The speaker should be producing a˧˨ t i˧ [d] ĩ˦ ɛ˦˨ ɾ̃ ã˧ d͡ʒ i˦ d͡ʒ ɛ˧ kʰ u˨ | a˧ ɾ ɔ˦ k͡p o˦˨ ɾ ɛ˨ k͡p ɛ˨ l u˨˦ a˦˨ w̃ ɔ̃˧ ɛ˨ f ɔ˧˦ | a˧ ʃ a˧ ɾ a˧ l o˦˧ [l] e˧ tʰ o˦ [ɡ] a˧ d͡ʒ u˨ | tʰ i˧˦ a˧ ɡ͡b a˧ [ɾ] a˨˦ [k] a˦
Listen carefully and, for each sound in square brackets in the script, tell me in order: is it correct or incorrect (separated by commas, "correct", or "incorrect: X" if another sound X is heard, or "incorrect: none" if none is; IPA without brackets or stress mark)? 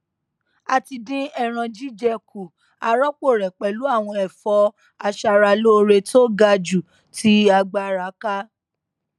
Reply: correct, incorrect: ɾ, correct, correct, correct